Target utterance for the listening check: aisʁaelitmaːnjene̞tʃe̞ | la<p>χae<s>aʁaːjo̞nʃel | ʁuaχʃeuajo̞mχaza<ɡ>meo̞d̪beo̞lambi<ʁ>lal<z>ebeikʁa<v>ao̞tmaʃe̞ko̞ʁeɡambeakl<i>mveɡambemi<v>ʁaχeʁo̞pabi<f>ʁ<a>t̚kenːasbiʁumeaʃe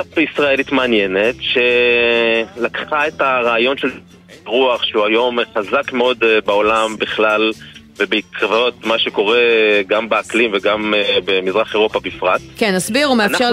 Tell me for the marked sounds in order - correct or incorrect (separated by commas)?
incorrect, incorrect, incorrect, incorrect, incorrect, correct, correct, incorrect, correct, correct